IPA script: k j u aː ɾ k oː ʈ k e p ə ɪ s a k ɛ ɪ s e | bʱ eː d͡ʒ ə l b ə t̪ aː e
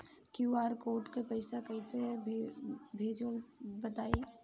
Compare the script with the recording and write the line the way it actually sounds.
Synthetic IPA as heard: k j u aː ɾ k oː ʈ k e p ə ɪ s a k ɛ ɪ s e | bʱ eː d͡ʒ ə l b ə t̪ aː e